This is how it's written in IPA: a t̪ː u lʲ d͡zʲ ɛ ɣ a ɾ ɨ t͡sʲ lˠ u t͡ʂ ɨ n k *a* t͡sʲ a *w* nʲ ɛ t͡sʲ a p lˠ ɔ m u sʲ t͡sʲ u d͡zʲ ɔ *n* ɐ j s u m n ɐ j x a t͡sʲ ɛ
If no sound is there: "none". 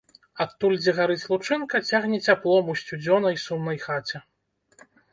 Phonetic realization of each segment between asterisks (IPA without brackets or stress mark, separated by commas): ɐ, ɣ, n